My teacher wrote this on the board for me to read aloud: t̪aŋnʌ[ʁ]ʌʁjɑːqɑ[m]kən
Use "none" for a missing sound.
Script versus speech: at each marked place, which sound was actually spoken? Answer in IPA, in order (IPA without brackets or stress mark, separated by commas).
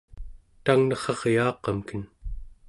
χ, m